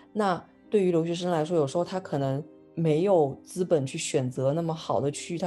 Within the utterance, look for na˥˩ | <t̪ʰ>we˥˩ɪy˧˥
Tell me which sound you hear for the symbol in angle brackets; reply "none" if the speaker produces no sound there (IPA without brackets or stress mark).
t̪